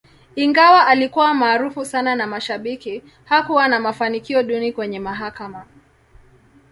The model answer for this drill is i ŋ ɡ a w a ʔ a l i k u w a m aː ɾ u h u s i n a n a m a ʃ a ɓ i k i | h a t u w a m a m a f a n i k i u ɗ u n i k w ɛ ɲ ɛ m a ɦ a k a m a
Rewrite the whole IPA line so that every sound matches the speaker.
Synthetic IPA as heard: i ŋ ɡ a w a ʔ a l i k u w a m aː ɾ u f u s a n a n a m a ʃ a ɓ i k i | h a k u w a n a m a f a n i k i ɔ ɗ u n i k w ɛ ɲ ɛ m a ɦ a k a m a